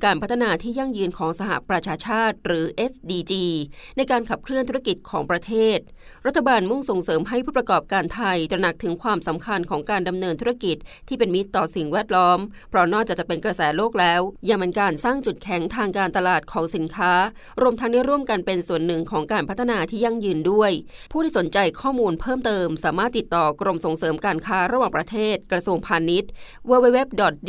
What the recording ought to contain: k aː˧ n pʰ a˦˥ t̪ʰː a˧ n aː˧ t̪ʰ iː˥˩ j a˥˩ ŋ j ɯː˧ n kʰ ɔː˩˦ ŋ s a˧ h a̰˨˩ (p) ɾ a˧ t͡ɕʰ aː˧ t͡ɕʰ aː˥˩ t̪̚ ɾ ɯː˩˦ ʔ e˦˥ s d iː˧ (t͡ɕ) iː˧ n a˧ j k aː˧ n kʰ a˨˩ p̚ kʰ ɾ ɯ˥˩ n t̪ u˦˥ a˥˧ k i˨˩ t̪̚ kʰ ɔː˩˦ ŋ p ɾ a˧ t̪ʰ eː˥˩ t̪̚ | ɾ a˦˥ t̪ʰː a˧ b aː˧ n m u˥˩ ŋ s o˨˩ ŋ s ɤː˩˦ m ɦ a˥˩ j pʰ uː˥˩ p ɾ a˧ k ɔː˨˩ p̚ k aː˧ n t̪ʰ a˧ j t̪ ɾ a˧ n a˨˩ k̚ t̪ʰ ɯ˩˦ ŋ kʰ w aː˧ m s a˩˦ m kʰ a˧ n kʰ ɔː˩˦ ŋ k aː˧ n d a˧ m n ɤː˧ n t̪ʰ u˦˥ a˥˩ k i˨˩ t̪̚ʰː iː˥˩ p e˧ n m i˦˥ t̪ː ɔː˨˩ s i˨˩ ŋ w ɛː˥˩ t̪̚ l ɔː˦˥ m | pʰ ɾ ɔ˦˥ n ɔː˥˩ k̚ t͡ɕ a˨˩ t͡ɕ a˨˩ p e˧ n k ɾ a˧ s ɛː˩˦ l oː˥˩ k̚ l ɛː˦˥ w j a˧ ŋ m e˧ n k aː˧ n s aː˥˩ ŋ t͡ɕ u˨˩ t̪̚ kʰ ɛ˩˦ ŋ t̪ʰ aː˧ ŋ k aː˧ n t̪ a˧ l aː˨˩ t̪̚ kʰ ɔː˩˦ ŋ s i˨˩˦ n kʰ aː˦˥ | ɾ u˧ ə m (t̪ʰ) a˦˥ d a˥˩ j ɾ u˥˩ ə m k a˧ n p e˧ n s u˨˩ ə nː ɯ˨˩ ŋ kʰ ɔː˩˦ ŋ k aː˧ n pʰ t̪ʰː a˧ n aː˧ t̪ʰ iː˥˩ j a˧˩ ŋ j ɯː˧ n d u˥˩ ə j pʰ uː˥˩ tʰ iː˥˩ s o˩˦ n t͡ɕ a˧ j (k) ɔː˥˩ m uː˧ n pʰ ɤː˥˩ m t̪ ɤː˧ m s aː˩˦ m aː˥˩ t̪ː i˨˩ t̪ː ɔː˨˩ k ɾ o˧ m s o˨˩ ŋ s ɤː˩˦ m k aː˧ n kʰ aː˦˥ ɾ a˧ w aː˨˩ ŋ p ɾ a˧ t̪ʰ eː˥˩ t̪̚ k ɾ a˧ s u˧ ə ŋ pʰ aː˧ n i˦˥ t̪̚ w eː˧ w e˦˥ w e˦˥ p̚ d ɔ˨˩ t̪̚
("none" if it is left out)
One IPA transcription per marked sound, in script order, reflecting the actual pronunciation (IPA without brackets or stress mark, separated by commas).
p, t͡ɕ, t̪ʰ, kʰ